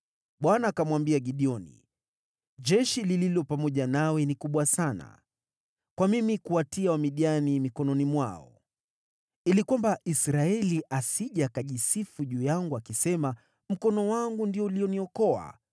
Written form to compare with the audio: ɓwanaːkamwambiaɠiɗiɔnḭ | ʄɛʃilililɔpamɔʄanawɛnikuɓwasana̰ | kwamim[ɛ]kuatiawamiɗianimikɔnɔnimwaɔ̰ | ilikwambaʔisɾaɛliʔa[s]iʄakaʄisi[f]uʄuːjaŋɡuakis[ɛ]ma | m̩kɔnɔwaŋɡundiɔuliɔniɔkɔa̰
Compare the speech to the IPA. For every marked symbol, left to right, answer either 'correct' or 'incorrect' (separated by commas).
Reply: incorrect, correct, correct, correct